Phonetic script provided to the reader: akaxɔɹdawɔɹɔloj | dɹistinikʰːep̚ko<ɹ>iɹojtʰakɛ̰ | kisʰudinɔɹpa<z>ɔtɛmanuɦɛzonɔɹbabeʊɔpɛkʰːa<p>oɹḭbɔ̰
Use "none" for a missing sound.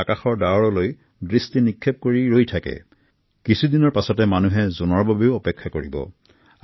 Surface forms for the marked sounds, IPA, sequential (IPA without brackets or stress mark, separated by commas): ɹ, s, k